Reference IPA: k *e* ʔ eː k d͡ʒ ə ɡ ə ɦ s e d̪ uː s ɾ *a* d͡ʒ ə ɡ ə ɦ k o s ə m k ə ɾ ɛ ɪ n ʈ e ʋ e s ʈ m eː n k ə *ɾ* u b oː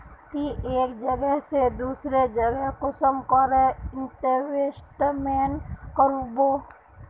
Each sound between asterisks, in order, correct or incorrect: incorrect: i, incorrect: e, correct

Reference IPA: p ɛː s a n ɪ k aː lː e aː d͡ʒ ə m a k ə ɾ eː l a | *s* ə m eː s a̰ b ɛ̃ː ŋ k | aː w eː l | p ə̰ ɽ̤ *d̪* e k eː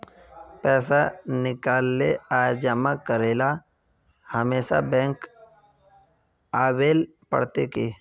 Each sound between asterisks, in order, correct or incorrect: incorrect: h, incorrect: t̪

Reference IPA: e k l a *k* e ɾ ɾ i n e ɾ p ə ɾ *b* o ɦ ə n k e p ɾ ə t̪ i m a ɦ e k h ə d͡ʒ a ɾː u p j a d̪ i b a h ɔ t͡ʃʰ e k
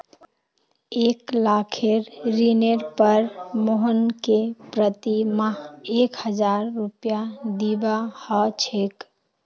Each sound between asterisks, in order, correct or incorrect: incorrect: kʰ, incorrect: m

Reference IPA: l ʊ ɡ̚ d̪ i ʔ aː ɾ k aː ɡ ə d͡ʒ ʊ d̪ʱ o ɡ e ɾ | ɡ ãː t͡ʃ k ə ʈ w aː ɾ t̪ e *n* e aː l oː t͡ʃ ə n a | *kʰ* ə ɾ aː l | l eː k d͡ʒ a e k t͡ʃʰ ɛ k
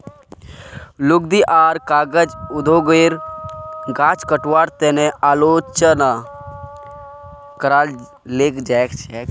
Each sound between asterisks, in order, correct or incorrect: correct, incorrect: k

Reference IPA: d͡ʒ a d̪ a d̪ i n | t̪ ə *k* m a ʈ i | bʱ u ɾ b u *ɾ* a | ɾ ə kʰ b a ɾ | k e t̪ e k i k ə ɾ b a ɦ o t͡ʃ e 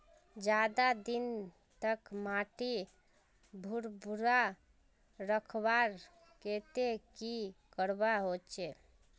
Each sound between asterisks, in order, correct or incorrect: correct, correct

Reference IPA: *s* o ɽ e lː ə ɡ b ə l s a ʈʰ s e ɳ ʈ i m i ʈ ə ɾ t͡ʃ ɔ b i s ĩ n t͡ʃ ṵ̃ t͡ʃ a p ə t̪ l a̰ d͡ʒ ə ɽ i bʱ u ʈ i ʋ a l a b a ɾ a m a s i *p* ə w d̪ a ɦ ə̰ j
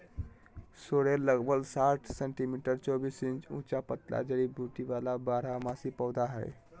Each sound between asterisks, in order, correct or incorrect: correct, correct

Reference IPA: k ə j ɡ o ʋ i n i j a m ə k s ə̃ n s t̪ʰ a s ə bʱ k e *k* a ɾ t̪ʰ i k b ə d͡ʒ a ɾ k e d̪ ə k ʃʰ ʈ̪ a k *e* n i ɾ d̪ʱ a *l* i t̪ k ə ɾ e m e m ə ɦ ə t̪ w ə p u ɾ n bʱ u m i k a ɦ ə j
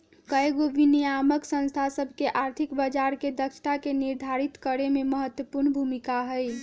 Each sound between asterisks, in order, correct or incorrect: incorrect: ʔ, correct, incorrect: ɾ

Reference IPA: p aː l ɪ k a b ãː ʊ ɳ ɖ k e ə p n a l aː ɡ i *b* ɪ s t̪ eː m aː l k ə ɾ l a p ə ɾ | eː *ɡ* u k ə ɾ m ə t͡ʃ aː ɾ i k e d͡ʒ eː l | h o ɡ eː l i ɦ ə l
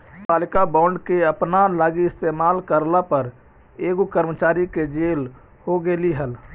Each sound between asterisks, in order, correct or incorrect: incorrect: none, correct

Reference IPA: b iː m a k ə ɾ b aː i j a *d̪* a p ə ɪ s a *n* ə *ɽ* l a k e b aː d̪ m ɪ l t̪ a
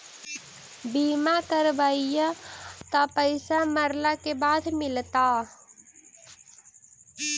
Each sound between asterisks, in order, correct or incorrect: incorrect: t̪, incorrect: m, incorrect: ɾ

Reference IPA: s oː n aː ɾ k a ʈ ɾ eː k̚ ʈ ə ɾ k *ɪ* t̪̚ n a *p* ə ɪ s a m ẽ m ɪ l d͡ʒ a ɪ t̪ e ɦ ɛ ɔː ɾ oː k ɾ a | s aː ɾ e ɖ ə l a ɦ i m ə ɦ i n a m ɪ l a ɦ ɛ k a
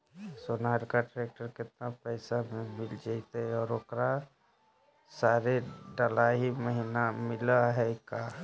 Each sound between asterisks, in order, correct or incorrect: correct, correct

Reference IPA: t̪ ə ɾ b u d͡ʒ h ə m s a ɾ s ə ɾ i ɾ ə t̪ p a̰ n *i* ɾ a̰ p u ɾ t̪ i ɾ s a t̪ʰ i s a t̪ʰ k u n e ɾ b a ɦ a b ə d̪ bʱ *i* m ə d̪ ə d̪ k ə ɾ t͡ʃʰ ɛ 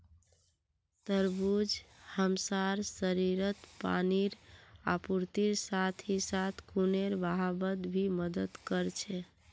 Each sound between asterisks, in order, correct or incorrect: correct, correct

